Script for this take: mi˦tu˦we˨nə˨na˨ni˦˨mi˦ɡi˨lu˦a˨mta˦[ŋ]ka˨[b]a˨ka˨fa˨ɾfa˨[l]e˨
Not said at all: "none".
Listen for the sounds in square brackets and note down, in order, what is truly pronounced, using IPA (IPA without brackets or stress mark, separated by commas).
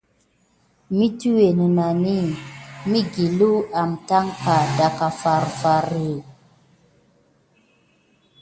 ŋ, d, ɾ